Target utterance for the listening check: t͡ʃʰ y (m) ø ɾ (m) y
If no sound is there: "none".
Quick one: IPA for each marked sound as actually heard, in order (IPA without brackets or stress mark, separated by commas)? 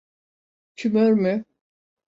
m, m